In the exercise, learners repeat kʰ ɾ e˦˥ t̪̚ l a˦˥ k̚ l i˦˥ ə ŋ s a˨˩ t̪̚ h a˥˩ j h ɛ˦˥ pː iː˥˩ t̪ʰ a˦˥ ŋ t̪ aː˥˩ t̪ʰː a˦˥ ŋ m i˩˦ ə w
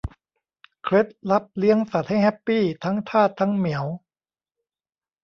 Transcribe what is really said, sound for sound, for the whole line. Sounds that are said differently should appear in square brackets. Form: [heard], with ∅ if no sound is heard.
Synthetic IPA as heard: kʰ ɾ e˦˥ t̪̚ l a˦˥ [p̚] l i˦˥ ə ŋ s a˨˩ t̪̚ h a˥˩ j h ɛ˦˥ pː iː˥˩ t̪ʰ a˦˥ ŋ [t̪ʰ] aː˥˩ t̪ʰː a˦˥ ŋ m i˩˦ ə w